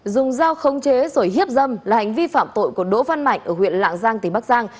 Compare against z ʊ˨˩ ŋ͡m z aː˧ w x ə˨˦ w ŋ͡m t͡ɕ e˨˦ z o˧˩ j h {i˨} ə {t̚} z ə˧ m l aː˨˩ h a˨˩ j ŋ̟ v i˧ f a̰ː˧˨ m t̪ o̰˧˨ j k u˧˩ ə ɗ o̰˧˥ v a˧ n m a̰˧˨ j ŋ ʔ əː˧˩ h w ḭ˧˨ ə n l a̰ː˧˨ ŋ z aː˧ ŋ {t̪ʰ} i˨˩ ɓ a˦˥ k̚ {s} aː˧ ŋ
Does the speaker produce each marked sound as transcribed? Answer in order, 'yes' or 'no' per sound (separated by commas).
no, no, no, no